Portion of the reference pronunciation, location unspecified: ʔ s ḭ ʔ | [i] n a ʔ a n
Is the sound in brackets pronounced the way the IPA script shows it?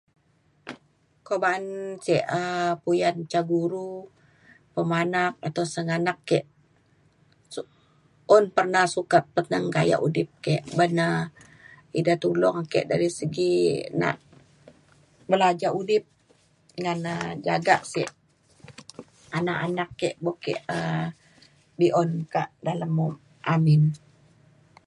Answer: no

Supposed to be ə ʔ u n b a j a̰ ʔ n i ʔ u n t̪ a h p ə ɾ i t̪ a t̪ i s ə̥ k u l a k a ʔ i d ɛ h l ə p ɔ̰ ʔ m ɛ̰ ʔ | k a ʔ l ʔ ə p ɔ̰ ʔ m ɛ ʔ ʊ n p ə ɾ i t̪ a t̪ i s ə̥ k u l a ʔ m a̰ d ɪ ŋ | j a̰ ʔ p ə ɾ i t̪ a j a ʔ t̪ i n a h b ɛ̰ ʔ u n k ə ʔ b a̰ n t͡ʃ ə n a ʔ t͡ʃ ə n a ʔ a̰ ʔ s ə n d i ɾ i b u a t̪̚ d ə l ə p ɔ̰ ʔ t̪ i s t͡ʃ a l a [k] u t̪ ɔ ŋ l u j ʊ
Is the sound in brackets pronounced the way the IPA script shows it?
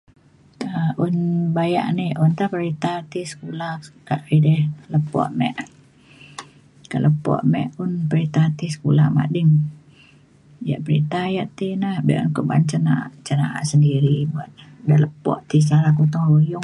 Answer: yes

